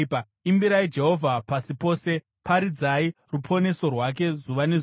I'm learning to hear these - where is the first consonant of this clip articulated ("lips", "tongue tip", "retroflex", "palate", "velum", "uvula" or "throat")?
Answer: lips